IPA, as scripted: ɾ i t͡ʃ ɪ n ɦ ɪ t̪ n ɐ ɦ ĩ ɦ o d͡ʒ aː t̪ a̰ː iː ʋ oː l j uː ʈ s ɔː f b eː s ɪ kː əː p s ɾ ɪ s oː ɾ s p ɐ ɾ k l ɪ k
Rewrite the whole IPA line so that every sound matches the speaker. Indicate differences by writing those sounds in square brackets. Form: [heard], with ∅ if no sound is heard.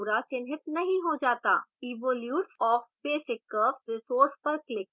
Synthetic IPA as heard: ɾ [a] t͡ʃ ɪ n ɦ ɪ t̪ n ɐ ɦ ĩ ɦ o d͡ʒ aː t̪ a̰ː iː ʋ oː l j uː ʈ s ɔː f b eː s ɪ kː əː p s ɾ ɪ s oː ɾ s p ɐ ɾ k l ɪ k

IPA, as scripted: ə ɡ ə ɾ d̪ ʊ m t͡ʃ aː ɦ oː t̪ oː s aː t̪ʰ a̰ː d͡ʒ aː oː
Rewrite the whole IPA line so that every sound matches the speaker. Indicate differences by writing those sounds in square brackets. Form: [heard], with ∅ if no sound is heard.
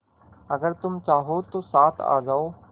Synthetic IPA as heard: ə ɡ ə ɾ [t̪] ʊ m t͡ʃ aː ɦ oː t̪ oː s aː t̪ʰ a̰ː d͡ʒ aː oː

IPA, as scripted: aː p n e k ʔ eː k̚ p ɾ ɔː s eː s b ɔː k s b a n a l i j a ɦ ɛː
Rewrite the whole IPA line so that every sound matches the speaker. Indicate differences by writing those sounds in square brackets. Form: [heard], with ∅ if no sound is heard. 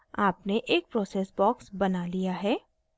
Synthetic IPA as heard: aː p n e [∅] ʔ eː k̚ p ɾ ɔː s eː s b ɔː k s b [ɐ] n a l i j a ɦ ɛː

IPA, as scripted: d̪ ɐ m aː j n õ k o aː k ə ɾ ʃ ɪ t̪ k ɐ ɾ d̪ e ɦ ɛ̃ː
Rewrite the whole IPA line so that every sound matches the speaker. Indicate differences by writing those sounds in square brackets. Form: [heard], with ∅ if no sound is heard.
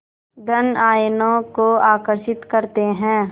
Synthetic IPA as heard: d̪ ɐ [n] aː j n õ k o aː k ə ɾ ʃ ɪ t̪ k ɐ ɾ [t̪] e ɦ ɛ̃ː

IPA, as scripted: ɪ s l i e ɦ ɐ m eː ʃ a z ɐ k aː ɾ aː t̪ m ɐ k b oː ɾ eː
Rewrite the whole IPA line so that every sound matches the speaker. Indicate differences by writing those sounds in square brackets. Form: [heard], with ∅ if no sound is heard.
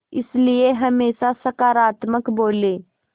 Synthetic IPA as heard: ɪ s l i e ɦ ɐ m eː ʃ a [s] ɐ k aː ɾ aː t̪ m [ə] k b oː [l] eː

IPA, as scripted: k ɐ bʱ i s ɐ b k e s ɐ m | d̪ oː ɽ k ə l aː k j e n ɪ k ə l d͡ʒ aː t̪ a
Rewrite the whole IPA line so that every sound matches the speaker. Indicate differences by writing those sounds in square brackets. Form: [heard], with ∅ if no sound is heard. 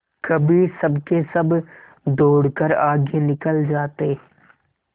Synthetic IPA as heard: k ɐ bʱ i s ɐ b k e s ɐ [b] | d̪ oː ɽ k ə [ɾ] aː [ɡ] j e n ɪ k ə l d͡ʒ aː t̪ [e]

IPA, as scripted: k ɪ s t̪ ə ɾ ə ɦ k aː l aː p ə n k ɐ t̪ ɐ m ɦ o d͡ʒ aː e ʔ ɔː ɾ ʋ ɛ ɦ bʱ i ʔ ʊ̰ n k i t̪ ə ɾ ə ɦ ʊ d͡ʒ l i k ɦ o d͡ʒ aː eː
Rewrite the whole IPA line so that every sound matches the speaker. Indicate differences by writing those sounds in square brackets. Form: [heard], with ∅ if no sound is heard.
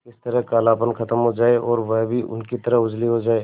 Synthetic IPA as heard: k ɪ s t̪ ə ɾ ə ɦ k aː l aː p ə n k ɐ t̪ [ə] m ɦ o d͡ʒ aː e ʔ ɔː ɾ ʋ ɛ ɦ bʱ i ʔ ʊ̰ n k i t̪ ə ɾ ə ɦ ʊ d͡ʒ l i [∅] ɦ o d͡ʒ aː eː

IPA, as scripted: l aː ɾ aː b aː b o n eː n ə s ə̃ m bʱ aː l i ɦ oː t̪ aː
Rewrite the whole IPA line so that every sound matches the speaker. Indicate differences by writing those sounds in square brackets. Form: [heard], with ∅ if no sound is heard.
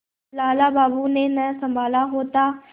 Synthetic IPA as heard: l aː [l] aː b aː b [u] n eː n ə s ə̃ m bʱ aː l [a] ɦ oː t̪ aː

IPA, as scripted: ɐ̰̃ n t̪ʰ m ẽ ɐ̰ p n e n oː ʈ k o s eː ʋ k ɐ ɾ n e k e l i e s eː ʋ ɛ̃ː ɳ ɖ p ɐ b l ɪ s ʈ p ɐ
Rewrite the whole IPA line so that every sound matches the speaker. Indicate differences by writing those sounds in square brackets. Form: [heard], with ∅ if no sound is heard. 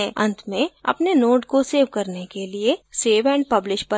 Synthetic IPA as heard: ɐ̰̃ n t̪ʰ m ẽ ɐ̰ p n e n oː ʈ k o s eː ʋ k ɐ ɾ n e k e l i e s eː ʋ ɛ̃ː ɳ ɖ p ɐ b l ɪ [ʃ] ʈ p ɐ

